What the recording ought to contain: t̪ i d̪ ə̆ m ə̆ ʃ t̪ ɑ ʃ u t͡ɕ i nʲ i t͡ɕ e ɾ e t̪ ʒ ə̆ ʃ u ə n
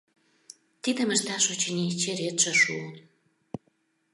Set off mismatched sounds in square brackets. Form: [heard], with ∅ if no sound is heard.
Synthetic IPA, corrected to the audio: t̪ i d̪ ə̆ m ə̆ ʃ t̪ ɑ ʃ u t͡ɕ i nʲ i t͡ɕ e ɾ e t̪ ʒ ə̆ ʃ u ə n